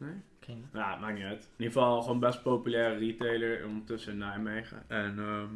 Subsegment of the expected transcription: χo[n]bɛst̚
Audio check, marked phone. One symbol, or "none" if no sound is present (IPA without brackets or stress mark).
n